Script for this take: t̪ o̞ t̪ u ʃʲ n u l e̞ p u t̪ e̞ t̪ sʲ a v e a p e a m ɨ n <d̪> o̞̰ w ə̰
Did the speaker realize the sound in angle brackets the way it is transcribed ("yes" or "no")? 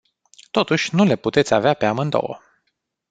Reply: yes